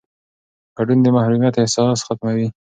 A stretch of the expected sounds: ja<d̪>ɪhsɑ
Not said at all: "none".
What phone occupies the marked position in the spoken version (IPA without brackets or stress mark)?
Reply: t̪